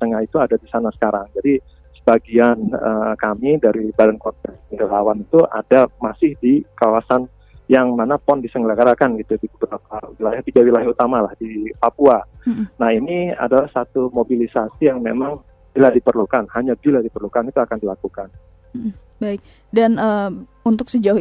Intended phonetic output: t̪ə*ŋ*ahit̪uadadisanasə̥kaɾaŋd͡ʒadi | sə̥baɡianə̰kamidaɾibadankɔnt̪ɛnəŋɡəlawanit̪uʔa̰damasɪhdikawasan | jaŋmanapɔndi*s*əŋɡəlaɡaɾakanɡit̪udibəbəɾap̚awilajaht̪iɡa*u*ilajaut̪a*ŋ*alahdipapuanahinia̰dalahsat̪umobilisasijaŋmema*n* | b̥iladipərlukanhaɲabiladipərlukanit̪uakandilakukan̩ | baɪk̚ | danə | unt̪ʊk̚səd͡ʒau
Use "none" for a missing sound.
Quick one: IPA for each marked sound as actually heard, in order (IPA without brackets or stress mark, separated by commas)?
ŋ, s, w, m, ŋ